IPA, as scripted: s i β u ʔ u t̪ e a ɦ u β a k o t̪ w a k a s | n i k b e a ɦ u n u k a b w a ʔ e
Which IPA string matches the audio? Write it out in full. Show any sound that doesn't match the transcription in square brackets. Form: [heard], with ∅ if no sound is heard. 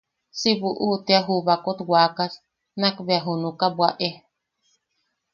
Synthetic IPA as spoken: s i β u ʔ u t̪ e a ɦ u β a k o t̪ w a k a s | n [a] k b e a ɦ u n u k a b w a ʔ e